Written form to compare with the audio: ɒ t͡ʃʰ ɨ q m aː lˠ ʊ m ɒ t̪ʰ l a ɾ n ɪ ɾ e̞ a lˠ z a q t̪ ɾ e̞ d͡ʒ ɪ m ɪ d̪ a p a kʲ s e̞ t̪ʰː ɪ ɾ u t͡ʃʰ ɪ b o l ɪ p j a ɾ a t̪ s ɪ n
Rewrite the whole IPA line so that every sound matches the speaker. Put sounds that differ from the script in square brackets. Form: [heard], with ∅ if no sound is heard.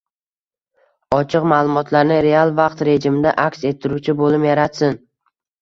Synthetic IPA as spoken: ɒ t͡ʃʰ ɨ q m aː lˠ ʊ m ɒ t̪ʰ l a ɾ n ɪ ɾ e̞ a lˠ [v] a q t̪ ɾ e̞ d͡ʒ ɪ m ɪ d̪ a [ʔ] a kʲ s e̞ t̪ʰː ɪ ɾ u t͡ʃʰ ɪ b o l ɪ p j a ɾ a t̪ s ɪ n

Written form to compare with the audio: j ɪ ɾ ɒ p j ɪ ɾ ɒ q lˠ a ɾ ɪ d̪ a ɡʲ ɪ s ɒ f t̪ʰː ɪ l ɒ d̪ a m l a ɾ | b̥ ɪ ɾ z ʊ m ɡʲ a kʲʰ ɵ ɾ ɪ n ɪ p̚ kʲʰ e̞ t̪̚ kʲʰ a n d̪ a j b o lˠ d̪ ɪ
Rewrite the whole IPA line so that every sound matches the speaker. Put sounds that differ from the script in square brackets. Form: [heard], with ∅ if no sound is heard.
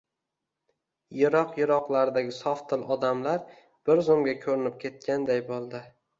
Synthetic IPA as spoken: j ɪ ɾ ɒ [q] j ɪ ɾ ɒ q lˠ a ɾ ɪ d̪ a ɡʲ ɪ s ɒ f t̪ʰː ɪ l ɒ d̪ a m l a ɾ | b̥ ɪ ɾ z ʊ m ɡʲ a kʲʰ ɵ ɾ ɪ n ɪ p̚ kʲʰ e̞ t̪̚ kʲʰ a n d̪ a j b o lˠ d̪ ɪ

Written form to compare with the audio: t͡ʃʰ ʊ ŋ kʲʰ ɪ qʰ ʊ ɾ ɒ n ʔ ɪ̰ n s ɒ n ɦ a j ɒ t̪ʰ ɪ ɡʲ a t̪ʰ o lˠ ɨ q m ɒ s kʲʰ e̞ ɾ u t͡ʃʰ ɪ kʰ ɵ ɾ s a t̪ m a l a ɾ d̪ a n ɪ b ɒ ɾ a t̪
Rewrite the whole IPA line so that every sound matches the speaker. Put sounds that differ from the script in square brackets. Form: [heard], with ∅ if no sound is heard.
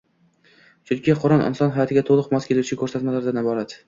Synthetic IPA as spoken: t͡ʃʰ ʊ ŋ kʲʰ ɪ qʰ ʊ ɾ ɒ n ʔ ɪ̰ n s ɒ n ɦ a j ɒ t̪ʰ ɪ ɡʲ a t̪ʰ o lˠ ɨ q m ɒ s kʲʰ e̞ [l] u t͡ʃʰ ɪ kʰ ɵ ɾ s a t̪ m a l a ɾ d̪ a n ɪ b ɒ ɾ a t̪

